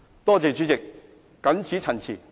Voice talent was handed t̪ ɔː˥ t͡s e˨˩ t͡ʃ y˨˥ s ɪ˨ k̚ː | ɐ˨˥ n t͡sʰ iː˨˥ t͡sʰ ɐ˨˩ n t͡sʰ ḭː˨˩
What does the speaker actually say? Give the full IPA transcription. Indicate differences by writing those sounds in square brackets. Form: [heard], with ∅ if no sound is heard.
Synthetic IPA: t̪ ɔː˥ t͡s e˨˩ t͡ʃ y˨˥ [t͡s] ɪ˨ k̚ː | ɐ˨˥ n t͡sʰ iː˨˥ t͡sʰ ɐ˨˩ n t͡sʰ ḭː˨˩